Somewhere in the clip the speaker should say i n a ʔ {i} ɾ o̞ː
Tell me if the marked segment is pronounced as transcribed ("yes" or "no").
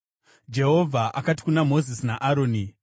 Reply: no